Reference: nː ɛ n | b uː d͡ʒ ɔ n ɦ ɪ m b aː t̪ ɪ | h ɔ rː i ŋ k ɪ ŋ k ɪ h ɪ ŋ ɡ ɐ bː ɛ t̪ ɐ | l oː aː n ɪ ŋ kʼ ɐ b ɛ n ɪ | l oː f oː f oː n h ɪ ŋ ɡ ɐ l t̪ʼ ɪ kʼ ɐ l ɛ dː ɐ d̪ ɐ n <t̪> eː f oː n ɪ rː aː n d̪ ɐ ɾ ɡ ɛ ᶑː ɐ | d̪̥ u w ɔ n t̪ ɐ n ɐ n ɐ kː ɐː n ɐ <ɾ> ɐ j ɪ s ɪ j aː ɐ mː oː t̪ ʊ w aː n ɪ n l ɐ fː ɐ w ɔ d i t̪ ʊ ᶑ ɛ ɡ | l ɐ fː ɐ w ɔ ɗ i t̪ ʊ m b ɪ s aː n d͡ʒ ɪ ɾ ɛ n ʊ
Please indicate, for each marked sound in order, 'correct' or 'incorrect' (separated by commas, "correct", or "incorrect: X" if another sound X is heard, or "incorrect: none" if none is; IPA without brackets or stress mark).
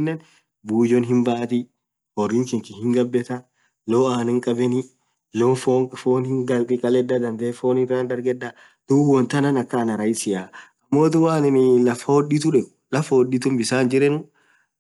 incorrect: d̪, correct